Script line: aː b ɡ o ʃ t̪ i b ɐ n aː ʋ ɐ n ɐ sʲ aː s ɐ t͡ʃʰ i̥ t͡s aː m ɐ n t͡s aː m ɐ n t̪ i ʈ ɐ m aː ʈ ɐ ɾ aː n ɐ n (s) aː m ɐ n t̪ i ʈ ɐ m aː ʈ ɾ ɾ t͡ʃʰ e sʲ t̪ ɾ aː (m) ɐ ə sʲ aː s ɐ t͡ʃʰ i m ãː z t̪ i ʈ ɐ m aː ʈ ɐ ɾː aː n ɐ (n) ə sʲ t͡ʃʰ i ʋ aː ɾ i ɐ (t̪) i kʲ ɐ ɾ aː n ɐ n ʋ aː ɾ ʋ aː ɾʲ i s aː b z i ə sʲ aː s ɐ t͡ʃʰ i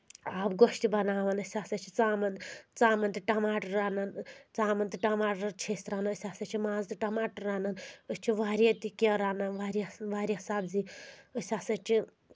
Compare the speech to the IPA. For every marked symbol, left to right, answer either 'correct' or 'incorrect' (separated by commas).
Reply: incorrect, incorrect, correct, correct